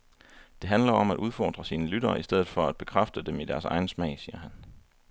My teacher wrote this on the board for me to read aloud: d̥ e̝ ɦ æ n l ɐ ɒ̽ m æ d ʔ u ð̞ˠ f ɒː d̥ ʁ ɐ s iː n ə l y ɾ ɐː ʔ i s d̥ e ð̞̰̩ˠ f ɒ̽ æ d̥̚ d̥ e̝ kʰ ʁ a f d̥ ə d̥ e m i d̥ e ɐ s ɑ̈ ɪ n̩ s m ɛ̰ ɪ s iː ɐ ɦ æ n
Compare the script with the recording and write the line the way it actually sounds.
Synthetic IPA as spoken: d̥ e̝ ɦ æ n l ɐ ɒ̽ m æ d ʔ u ð̞ˠ f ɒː d̥ ʁ ɐ s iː n ə l y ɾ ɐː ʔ i s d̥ e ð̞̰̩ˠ f ɒ̽ æ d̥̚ b̥ e̝ kʰ ʁ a f d̥ ə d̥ e m i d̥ æ ɐ s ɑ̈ ɪ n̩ s m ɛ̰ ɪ s iː ɐ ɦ æ n